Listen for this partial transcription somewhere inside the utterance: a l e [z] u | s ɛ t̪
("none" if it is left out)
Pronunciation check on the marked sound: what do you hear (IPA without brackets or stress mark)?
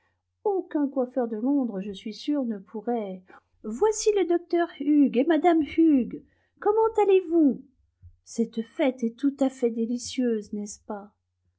v